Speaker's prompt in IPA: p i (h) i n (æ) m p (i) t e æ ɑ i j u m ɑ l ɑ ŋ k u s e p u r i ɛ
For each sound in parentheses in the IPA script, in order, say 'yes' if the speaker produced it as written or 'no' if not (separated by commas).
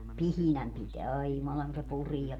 yes, yes, yes